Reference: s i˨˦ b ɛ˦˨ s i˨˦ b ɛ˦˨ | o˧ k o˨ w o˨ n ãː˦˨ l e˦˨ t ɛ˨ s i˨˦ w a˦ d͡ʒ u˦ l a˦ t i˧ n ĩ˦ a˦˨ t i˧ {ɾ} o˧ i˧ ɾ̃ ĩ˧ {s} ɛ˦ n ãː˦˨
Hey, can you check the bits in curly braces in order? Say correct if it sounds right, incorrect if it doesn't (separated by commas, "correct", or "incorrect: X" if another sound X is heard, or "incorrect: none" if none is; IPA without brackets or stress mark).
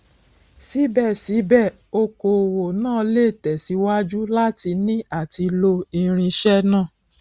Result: incorrect: l, incorrect: ʃ